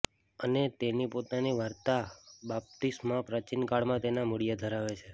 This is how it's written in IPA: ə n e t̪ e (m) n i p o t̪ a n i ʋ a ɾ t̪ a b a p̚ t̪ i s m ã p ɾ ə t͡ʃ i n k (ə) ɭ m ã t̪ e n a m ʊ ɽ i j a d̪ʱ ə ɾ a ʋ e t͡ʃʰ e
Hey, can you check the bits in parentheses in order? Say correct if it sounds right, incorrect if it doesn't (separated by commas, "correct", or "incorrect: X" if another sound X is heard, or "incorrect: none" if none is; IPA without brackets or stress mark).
incorrect: none, incorrect: a